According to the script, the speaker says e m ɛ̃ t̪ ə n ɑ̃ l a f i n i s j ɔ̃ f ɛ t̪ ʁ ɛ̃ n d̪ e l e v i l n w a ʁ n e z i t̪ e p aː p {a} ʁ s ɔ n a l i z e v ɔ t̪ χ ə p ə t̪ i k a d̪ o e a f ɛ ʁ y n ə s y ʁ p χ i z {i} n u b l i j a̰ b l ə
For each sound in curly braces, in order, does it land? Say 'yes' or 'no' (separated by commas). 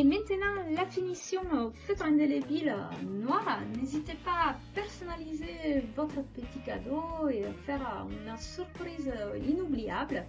no, yes